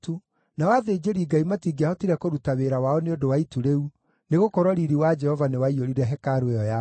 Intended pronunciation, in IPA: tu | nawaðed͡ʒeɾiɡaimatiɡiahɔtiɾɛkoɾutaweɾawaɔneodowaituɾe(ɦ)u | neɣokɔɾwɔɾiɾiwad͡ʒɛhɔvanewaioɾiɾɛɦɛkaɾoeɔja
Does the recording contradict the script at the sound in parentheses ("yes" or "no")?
yes